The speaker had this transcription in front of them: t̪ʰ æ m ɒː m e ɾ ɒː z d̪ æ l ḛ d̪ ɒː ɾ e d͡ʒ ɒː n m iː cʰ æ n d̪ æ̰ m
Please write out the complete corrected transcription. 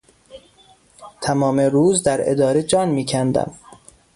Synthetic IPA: t̪ʰ æ m ɒː m e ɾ uː z d̪ æ ɾ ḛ d̪ ɒː ɾ e d͡ʒ ɒː n m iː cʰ æ n d̪ æ̰ m